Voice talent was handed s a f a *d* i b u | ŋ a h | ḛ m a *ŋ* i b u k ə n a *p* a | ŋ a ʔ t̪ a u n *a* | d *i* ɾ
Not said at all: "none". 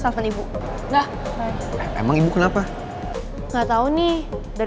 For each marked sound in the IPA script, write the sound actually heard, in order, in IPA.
n, ŋ, p, i, a

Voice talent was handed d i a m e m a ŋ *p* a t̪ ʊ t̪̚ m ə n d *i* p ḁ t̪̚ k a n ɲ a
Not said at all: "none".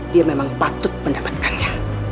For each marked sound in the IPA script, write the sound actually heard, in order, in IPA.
p, a

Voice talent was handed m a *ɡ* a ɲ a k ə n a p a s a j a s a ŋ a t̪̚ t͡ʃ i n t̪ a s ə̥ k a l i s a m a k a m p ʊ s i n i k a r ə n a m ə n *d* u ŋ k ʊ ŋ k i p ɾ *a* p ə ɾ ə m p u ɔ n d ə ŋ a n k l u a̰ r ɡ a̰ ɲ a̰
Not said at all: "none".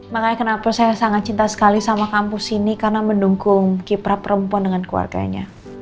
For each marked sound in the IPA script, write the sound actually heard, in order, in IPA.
k, d, a

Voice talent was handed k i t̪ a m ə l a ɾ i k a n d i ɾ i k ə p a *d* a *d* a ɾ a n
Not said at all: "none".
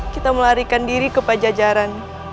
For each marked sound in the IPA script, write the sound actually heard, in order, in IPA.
d͡ʒ, d͡ʒ

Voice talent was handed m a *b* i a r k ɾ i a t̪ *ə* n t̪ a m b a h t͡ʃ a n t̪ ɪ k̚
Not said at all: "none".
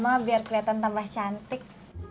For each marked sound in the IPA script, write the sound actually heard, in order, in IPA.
b, a

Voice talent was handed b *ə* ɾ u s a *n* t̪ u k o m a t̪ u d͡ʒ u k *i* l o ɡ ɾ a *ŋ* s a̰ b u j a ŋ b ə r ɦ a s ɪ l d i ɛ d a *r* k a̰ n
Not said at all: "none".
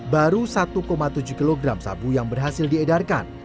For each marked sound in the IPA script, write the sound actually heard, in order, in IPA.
a, none, i, m, r

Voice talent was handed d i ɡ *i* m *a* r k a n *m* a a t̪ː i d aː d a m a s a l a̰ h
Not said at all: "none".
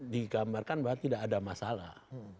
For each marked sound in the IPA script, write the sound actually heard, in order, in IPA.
a, a, b

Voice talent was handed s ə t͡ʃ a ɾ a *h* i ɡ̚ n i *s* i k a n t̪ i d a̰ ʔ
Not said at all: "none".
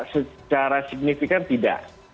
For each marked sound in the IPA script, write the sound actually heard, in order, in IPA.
s, f

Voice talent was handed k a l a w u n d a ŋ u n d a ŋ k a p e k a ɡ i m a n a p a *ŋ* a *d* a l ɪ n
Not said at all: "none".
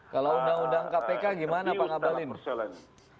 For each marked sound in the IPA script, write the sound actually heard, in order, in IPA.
ŋ, b

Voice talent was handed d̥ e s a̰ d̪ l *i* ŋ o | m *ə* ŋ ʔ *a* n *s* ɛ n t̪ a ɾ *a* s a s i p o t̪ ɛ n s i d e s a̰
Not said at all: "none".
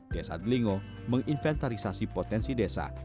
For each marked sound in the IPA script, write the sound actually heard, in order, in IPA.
i, ə, i, f, i

